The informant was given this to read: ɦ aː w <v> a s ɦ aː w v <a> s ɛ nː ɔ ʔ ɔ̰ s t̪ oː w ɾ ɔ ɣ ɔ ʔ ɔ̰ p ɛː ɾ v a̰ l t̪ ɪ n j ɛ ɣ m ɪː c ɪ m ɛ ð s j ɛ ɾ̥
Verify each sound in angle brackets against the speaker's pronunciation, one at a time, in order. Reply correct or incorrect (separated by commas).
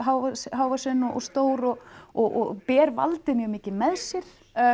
correct, correct